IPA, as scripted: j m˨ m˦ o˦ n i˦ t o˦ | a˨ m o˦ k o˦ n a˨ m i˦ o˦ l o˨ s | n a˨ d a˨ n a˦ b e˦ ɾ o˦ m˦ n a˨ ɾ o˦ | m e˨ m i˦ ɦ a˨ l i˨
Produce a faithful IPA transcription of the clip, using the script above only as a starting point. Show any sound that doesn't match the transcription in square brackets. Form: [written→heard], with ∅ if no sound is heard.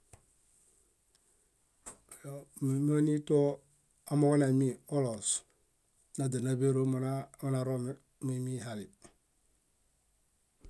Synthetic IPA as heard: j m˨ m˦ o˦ n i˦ t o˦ | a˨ m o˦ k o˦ n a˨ m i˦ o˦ l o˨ s | n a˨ d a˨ n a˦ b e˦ ɾ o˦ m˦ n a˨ ɾ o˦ | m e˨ m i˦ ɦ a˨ l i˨